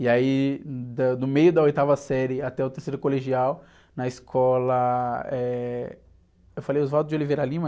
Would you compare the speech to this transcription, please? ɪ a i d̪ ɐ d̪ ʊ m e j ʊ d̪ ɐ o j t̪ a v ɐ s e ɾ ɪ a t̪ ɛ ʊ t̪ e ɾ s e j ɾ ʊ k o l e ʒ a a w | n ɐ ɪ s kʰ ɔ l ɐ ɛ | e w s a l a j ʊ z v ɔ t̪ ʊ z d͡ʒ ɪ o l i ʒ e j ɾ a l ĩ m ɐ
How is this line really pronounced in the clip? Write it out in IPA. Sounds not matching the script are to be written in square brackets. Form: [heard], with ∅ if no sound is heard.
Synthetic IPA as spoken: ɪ a i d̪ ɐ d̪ ʊ m e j ʊ d̪ ɐ o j t̪ a v ɐ s [ɛ] ɾ ɪ a t̪ ɛ ʊ t̪ e ɾ s e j ɾ ʊ k o l e ʒ [i] a w | n ɐ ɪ s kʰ ɔ l ɐ ɛ | e w [f] a l [e] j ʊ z v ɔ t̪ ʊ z d͡ʒ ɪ o l i [v] e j ɾ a l ĩ m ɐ

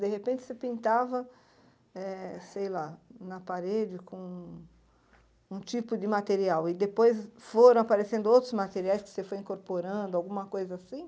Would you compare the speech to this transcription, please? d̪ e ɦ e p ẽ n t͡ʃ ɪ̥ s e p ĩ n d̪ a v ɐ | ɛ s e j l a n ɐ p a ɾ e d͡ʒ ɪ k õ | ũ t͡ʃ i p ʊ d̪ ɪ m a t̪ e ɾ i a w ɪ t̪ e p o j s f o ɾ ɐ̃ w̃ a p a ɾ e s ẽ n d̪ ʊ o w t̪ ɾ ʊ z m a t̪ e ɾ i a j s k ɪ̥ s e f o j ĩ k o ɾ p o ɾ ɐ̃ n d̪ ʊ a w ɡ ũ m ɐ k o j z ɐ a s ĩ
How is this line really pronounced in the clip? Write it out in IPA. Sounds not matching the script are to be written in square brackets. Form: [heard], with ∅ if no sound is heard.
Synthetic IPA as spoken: d̪ e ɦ e p ẽ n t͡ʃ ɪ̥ s e p ĩ n [t̪] a v ɐ | ɛ s e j l a n ɐ p a ɾ e d͡ʒ ɪ k õ | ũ t͡ʃ i p ʊ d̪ ɪ m a t̪ e ɾ i a w ɪ [d̪] e p o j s f o ɾ ɐ̃ w̃ a p a ɾ e s ẽ n d̪ ʊ o w t̪ ɾ ʊ z m a t̪ e ɾ i a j s k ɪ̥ s e f o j ĩ k o ɾ p o ɾ ɐ̃ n d̪ ʊ a w ɡ ũ m ɐ k o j z ɐ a s ĩ

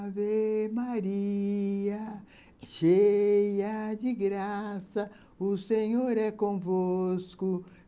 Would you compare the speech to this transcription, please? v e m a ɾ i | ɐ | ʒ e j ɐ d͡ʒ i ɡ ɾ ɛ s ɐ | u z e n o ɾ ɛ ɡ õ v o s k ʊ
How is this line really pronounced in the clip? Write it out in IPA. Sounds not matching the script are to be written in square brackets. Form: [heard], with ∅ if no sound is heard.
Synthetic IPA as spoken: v e m a ɾ i | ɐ | [ʃ] e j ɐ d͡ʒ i ɡ ɾ [a] s ɐ | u [s] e [ɲ] o ɾ ɛ [k] õ v o s k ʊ

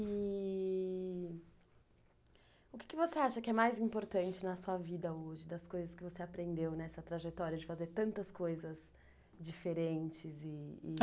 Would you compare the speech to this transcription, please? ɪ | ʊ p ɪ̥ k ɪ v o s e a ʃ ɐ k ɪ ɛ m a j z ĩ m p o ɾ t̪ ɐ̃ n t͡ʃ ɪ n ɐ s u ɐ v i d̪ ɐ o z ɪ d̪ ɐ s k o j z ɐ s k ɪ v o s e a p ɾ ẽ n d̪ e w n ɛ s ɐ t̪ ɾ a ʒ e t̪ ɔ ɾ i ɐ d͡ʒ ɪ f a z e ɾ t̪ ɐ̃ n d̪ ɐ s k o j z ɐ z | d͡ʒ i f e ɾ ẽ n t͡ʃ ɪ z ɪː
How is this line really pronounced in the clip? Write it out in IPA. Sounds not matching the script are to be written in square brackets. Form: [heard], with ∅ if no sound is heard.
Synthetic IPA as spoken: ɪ | ʊ [k] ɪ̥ k ɪ v o s e a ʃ ɐ k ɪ ɛ m a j z ĩ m p o ɾ t̪ ɐ̃ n t͡ʃ ɪ n ɐ s u ɐ v i d̪ ɐ o [ʒ] ɪ d̪ ɐ s k o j z ɐ s k ɪ v o s e a p ɾ ẽ n d̪ e w n ɛ s ɐ t̪ ɾ a ʒ e t̪ ɔ ɾ i ɐ d͡ʒ ɪ f a z e ɾ t̪ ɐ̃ n [t̪] ɐ s k o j z ɐ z | d͡ʒ i f e ɾ ẽ n t͡ʃ ɪ z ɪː

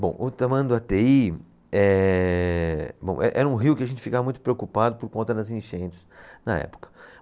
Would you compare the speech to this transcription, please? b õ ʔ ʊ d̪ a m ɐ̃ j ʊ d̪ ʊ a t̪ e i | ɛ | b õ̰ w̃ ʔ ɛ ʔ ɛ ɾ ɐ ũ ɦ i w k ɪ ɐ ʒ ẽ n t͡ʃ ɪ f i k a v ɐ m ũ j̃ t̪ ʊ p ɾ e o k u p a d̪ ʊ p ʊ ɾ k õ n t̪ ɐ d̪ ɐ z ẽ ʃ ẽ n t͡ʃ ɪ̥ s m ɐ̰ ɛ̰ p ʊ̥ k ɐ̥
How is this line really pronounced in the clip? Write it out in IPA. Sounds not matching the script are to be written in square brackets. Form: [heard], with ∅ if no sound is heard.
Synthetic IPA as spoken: b õ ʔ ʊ [t̪] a m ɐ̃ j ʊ d̪ ʊ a t̪ e i | ɛ | b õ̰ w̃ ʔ ɛ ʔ ɛ ɾ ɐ ũ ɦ i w k ɪ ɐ ʒ ẽ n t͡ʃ ɪ f i k a v ɐ m ũ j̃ t̪ ʊ p ɾ e o k u p a d̪ ʊ p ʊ ɾ k õ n t̪ ɐ d̪ ɐ z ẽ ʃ ẽ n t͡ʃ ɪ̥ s [n] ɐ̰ ɛ̰ p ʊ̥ k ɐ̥

